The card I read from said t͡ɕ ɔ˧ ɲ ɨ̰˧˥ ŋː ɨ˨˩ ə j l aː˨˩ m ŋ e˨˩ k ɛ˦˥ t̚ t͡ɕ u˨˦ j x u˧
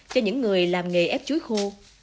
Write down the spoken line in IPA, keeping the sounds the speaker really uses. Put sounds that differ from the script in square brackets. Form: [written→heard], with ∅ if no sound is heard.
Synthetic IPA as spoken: t͡ɕ ɔ˧ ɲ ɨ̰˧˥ ŋː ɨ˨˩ ə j l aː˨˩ m ŋ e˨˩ [k→ʔ] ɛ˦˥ [t̚→p̚] t͡ɕ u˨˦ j x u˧